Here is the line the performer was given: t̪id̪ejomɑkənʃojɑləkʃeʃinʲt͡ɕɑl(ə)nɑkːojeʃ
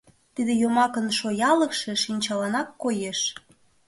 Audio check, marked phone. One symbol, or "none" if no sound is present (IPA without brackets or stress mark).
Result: ɑ